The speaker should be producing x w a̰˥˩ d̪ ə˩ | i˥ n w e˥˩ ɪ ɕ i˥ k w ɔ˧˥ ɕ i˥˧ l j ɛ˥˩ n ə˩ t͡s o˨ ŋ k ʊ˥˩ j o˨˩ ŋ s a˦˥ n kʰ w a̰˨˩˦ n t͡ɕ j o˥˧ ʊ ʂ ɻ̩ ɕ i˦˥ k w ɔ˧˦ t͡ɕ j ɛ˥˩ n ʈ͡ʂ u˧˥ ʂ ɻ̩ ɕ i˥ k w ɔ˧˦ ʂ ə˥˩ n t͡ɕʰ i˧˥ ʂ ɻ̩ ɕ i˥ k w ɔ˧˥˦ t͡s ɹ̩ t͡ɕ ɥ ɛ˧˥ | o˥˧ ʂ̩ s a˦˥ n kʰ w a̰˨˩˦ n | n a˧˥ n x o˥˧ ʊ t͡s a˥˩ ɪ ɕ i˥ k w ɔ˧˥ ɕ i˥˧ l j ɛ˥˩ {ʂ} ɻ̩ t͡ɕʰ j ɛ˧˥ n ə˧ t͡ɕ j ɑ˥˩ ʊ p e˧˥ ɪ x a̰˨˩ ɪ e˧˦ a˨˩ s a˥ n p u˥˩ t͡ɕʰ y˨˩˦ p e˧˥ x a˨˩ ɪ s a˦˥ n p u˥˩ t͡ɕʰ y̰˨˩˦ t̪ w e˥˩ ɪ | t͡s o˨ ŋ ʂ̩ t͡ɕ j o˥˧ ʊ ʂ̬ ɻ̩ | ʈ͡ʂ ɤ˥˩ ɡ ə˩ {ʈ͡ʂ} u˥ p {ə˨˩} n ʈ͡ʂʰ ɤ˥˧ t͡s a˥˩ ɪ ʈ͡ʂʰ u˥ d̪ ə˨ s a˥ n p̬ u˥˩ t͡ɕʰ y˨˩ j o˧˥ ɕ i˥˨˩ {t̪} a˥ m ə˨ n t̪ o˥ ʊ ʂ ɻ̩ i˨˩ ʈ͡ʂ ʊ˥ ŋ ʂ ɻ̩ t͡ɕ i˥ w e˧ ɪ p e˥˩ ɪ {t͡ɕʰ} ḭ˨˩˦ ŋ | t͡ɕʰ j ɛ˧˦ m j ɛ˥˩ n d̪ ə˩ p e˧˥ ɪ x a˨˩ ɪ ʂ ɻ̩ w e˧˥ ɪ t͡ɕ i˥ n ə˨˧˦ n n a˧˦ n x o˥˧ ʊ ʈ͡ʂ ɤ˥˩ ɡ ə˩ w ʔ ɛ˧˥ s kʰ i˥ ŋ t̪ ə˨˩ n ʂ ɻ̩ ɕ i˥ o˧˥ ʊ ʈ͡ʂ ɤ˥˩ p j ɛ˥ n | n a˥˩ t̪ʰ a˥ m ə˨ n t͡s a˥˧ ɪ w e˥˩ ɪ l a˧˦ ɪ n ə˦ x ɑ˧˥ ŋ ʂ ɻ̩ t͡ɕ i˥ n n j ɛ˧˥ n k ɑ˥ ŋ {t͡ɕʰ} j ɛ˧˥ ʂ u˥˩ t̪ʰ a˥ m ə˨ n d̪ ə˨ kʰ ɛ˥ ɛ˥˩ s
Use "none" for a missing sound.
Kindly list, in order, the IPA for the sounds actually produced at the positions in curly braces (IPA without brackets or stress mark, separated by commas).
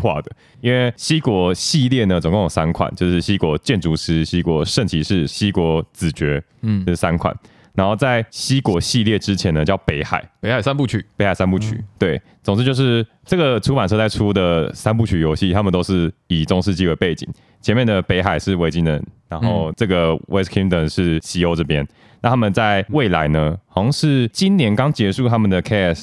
ʈ͡ʂ, ʈ͡ʂʰ, a˨˩, t̪ʰ, t͡ɕ, t͡ɕ